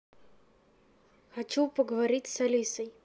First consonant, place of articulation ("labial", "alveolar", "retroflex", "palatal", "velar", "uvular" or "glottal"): velar